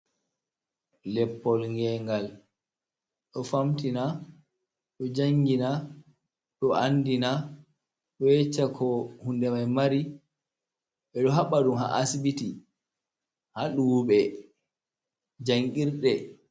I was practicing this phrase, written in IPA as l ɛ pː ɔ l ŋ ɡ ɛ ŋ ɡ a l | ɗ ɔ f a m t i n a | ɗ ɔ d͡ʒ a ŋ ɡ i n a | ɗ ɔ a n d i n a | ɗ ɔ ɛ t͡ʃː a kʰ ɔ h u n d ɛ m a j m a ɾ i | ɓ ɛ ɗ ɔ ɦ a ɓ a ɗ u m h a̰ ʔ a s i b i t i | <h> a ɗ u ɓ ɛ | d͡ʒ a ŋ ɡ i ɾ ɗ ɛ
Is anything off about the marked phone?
no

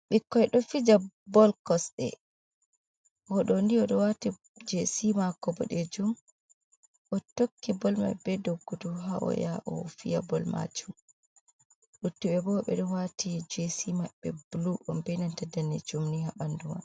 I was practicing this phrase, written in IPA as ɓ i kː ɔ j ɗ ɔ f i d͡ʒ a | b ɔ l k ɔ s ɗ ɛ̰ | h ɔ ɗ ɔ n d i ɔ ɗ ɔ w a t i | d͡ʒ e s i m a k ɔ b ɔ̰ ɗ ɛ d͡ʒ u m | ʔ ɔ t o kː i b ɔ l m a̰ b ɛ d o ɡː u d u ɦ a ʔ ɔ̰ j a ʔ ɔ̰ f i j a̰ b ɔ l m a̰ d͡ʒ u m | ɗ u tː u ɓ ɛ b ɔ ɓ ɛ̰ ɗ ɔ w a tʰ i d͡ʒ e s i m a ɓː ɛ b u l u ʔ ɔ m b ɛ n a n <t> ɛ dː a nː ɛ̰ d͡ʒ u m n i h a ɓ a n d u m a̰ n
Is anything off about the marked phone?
no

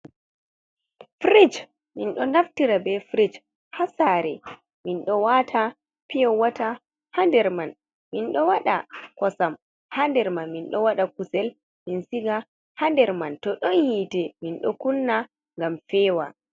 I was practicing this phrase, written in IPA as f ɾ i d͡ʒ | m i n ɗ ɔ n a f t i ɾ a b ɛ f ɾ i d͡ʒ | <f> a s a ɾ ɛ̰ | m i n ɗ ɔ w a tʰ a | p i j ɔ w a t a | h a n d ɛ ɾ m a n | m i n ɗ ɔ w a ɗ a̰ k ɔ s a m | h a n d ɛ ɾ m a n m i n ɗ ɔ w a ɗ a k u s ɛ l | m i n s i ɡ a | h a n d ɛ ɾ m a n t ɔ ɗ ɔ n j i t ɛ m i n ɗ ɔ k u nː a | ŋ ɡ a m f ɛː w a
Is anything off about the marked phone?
yes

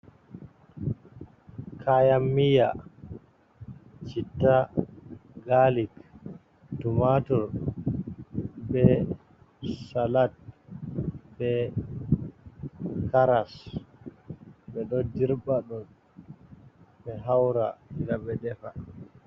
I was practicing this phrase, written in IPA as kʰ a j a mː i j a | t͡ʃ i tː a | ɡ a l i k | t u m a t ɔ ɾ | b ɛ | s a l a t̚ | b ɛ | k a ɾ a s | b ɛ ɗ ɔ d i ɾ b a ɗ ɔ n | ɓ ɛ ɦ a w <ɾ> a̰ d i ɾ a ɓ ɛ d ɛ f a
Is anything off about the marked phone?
no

